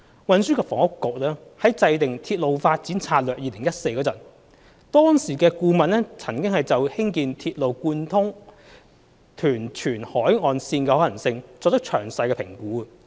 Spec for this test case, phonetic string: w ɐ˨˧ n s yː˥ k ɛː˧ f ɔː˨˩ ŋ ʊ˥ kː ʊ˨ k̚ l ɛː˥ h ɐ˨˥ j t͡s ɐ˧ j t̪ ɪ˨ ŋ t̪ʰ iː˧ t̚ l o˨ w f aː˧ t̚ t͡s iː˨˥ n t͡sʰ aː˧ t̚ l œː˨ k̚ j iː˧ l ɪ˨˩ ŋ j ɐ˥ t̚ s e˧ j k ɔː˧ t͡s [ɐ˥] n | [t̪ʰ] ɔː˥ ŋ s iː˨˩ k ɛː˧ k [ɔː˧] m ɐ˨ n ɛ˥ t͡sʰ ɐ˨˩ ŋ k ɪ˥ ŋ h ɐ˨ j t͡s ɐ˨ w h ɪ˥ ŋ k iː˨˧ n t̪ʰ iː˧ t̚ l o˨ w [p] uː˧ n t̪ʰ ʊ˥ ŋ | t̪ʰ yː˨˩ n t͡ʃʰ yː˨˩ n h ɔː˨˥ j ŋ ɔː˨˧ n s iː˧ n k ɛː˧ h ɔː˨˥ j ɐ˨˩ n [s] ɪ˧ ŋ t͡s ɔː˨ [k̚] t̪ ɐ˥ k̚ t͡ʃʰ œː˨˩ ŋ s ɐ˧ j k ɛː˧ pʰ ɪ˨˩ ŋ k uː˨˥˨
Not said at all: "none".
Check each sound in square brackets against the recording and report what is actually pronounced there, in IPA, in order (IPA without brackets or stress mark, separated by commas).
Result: ɐ˨˩, t̪, uː˧, k, s, k̚